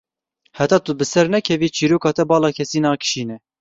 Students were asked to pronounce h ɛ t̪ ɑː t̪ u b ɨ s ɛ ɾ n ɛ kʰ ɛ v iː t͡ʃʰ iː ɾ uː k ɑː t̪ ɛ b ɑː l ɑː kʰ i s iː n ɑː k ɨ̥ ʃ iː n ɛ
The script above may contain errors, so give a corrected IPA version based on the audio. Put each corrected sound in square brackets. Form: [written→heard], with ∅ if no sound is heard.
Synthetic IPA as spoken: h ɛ t̪ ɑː t̪ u b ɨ s ɛ ɾ n ɛ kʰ ɛ v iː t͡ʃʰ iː ɾ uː k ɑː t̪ ɛ b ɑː l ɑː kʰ [i→ɛ] s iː n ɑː k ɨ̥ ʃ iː n ɛ